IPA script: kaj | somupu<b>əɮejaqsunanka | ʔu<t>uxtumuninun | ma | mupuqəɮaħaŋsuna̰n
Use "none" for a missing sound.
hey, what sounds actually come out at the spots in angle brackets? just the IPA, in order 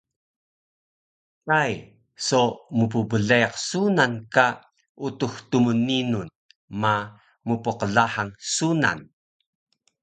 b, t

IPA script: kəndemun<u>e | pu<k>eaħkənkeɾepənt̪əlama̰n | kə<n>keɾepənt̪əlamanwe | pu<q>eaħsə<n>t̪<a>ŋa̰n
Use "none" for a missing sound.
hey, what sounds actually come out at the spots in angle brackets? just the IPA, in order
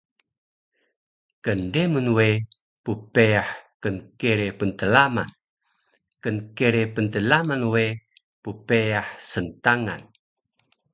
w, p, n, p, n, a

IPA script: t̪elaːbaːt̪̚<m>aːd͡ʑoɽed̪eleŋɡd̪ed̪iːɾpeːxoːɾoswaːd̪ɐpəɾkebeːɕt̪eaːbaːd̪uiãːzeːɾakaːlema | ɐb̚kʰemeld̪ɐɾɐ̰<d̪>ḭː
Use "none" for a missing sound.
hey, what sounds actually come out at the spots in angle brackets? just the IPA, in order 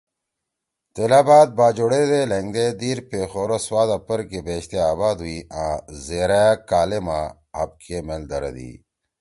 b, d̪

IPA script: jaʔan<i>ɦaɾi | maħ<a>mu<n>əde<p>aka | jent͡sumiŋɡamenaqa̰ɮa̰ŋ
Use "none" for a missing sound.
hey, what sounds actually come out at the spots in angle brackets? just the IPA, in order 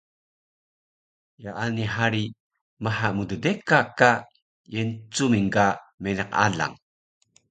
i, a, d, k

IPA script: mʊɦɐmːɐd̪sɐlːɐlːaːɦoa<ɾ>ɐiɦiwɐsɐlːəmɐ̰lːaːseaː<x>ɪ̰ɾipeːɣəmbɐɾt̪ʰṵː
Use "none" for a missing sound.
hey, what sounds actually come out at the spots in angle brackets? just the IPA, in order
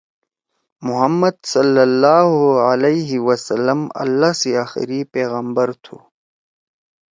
l, x

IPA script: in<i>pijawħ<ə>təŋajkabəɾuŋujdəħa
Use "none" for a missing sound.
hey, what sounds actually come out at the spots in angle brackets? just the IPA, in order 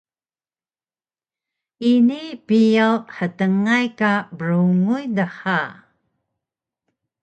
i, ə

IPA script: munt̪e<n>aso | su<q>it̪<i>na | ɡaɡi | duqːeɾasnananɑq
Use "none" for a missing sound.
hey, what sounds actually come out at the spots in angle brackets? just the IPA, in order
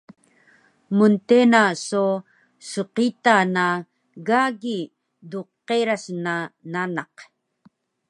n, q, a

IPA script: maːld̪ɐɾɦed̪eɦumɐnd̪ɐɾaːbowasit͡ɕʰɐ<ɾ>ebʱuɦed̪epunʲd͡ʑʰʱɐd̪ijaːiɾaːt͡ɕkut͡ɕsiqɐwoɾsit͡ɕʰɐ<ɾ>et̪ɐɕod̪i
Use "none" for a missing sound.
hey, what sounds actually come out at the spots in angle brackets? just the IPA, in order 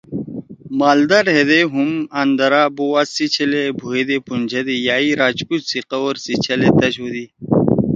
l, l

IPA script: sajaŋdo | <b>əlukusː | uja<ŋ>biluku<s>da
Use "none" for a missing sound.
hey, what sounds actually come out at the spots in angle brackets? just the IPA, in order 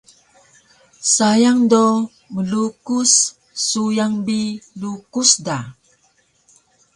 m, ŋ, s

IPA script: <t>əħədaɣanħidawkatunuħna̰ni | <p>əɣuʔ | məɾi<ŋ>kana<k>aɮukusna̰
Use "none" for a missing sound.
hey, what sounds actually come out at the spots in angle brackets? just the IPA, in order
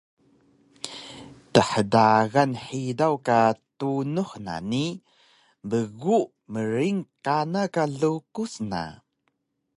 t, b, ŋ, k

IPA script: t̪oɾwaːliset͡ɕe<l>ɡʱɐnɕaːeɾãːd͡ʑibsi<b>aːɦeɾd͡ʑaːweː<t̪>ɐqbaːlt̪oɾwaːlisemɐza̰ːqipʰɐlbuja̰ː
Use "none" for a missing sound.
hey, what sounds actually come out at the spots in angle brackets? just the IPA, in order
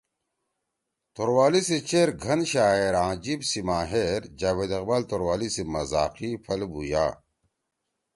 ɾ, m, d̪

